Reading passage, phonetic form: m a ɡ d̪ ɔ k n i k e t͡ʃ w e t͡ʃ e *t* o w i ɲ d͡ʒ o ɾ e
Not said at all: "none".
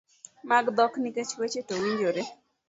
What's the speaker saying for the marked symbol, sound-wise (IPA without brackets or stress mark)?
t